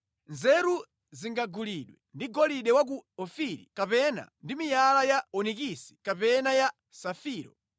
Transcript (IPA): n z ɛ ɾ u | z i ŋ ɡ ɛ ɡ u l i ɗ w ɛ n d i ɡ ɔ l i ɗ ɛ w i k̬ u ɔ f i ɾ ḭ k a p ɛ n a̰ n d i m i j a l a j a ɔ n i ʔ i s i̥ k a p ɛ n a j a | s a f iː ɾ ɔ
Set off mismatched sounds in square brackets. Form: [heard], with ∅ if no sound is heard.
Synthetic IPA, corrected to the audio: n z ɛ ɾ u | z i ŋ ɡ [a] ɡ u l i ɗ w ɛ n d i ɡ ɔ l i ɗ ɛ w [a] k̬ u ɔ f i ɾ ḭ k a p ɛ n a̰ n d i m i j a l a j a ɔ n i [k] i s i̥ k a p ɛ n a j a | s a f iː ɾ ɔ